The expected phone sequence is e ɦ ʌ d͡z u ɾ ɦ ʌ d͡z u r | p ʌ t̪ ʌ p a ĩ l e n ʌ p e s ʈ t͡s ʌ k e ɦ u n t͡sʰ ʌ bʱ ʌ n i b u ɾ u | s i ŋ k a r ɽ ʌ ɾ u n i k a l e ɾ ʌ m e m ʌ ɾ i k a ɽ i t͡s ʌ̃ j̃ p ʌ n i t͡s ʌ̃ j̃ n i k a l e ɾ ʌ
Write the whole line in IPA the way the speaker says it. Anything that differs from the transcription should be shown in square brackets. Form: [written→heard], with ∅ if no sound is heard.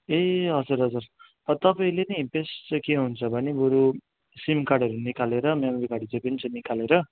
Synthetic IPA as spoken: e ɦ ʌ d͡z u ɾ ɦ ʌ d͡z u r | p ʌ t̪ ʌ p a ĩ l e n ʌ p e s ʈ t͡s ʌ k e ɦ u n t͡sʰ ʌ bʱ ʌ n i b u ɾ u | s i [ŋ→m] k a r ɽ ʌ ɾ u n i k a l e ɾ ʌ m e m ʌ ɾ i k a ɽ i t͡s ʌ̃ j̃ p ʌ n i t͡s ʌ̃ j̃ n i k a l e ɾ ʌ